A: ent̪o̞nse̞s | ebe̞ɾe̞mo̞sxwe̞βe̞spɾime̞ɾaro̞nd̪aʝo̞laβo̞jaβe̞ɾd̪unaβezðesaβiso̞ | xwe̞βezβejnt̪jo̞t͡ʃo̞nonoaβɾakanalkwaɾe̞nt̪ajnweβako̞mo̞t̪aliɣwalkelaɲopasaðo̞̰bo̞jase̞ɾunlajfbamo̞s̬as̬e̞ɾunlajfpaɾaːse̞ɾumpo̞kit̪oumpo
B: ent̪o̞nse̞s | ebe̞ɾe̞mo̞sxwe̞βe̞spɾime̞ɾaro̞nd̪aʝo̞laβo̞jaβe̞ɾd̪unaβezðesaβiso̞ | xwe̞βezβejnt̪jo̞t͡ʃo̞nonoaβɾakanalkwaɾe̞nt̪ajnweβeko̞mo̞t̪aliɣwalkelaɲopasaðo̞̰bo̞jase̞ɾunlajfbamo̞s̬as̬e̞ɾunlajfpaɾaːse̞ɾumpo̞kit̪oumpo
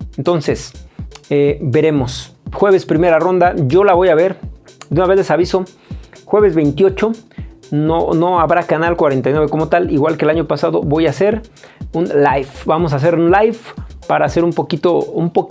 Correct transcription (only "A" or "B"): B